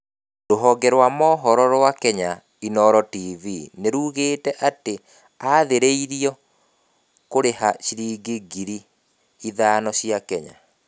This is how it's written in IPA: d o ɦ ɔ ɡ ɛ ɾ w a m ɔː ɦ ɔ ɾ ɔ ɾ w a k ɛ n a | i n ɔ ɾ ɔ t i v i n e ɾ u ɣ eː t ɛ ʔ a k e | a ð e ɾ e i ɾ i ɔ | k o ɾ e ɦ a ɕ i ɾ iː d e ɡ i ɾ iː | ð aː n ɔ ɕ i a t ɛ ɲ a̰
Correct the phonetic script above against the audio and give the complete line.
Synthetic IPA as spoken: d o ɦ ɔ ɡ ɛ ɾ w a m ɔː ɦ ɔ ɾ ɔ ɾ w a k ɛ ɲ a | i n ɔ ɾ ɔ t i v i n e ɾ u ɣ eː t ɛ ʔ a t e | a ð e ɾ e i ɾ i ɔ | k o ɾ e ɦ a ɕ i ɾ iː ɡ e ɡ i ɾ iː | ð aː n ɔ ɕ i a k ɛ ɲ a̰